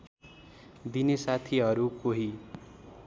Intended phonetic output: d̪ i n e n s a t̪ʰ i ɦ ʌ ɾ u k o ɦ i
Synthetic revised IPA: d̪ i n e s a t̪ʰ i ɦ ʌ ɾ u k o ɦ i